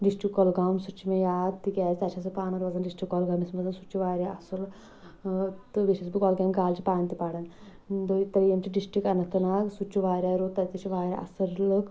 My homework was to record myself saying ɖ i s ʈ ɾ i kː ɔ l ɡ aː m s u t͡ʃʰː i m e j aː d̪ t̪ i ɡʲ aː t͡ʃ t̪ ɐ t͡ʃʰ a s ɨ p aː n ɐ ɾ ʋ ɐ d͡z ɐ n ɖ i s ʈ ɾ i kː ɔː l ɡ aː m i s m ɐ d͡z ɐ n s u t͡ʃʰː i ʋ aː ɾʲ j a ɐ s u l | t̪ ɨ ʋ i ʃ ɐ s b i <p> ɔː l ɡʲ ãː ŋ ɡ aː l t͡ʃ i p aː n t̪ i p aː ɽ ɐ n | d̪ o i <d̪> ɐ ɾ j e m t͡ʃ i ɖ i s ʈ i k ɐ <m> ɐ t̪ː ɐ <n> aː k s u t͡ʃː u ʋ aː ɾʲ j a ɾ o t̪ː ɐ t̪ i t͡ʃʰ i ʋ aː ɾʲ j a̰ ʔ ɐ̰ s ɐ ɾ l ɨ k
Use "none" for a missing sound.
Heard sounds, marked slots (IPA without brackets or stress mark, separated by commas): k, t̪, n, n